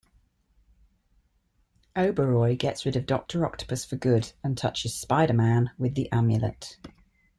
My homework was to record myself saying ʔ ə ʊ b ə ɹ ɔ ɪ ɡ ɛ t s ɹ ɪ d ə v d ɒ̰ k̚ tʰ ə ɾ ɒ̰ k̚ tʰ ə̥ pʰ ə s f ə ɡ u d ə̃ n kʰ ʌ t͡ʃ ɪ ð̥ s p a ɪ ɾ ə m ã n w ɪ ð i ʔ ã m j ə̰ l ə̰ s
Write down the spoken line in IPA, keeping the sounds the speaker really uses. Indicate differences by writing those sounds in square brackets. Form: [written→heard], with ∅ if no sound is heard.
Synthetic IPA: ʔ ə ʊ b ə ɹ ɔ ɪ ɡ ɛ t s ɹ ɪ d ə v d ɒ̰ k̚ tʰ ə [ɾ→ɹ] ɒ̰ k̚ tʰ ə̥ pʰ ə s f ə ɡ [u→ʊ] d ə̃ n [kʰ→tʰ] ʌ t͡ʃ ɪ [ð̥→z̥] s p a ɪ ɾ ə m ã n w ɪ ð i ʔ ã m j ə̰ l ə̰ [s→t]